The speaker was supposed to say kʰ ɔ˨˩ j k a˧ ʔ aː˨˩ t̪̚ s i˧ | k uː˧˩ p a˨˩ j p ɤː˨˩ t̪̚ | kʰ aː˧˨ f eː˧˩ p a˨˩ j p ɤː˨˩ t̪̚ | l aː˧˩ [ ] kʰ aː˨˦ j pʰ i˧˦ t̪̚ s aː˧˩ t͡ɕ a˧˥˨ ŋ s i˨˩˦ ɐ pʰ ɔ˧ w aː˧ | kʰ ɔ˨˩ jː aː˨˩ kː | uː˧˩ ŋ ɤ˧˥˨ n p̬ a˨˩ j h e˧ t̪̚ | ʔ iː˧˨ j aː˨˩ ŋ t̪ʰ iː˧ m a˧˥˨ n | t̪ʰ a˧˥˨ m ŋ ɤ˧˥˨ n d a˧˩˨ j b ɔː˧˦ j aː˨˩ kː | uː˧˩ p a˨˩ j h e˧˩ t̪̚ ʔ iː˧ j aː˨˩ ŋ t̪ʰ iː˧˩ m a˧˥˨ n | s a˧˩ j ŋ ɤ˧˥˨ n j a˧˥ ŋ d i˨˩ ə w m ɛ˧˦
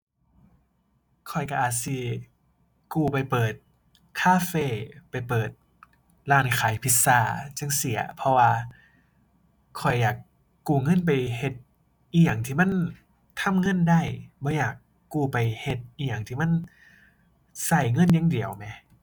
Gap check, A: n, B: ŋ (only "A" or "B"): A